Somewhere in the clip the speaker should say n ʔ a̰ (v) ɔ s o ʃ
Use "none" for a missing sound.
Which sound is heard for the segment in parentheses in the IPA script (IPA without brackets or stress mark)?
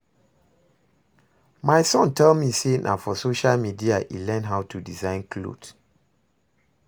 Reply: f